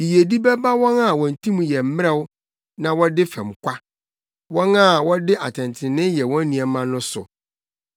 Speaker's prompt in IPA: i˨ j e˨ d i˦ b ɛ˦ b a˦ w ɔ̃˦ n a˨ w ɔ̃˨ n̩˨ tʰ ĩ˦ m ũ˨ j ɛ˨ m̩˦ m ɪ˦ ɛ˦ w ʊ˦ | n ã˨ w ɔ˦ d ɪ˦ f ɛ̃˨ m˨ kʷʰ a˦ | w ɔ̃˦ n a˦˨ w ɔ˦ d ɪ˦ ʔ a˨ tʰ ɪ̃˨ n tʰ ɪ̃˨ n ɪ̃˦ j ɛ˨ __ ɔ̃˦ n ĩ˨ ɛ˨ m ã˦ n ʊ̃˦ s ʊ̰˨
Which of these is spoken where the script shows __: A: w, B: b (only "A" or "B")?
A